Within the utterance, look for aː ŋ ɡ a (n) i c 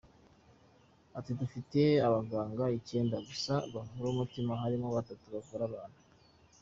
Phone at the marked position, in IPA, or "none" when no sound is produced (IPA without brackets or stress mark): none